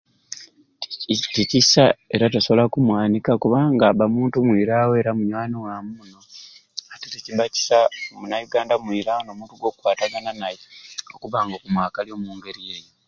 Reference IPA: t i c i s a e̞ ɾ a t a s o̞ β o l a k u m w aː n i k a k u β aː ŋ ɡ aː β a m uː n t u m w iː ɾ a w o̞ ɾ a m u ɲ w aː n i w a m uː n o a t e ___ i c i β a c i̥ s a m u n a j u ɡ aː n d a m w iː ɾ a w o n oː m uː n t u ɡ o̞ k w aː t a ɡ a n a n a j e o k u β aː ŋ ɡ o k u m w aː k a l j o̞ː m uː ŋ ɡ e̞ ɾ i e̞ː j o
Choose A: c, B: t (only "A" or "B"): B